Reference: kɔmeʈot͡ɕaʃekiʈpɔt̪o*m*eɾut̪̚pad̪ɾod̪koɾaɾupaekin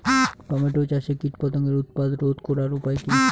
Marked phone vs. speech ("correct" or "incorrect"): incorrect